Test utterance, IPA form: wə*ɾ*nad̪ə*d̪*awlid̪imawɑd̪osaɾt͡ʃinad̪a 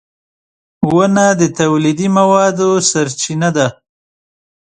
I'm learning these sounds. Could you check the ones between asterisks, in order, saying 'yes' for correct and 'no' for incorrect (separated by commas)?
no, no